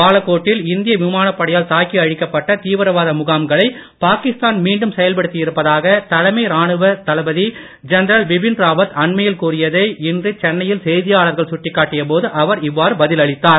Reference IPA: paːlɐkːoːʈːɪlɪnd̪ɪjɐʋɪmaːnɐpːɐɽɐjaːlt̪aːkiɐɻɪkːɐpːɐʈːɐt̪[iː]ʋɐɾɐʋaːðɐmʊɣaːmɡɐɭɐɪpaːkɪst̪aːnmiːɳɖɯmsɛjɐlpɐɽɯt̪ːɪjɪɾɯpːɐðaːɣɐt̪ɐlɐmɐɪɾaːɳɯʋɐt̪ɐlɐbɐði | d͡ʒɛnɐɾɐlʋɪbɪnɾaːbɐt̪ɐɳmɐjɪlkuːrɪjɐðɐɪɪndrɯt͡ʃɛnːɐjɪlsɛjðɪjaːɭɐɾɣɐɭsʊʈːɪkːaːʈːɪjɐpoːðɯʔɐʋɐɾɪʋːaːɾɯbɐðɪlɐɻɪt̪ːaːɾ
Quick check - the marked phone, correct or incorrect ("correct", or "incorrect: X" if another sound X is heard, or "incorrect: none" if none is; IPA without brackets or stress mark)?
correct